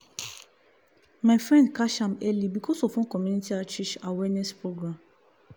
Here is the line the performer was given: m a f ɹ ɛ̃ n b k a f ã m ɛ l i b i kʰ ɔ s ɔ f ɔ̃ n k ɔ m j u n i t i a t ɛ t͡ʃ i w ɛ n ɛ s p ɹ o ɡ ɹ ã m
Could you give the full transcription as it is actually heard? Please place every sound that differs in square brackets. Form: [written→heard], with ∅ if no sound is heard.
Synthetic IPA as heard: m a f ɹ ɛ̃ n [b→d] k a [f→ʃ] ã m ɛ l i b i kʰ ɔ s ɔ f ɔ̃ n k ɔ m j u n i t i a [t→t͡ʃ] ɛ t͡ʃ [i→a] w ɛ n ɛ s p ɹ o ɡ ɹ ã m